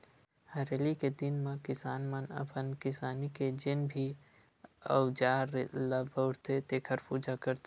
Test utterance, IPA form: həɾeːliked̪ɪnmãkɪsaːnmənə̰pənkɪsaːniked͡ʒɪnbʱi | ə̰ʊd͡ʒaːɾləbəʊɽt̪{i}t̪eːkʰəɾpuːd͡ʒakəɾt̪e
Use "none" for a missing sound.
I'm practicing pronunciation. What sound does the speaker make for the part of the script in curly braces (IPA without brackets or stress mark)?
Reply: e